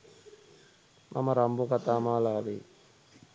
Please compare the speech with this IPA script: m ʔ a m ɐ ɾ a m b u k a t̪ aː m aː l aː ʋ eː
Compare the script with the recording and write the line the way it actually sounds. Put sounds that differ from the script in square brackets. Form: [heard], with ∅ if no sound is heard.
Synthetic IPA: m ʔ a m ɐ ɾ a m b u k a t̪ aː m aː l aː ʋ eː